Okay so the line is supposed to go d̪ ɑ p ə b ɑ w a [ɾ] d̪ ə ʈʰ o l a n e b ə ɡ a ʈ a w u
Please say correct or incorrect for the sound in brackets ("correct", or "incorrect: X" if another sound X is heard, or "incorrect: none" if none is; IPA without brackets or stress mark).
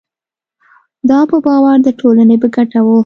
correct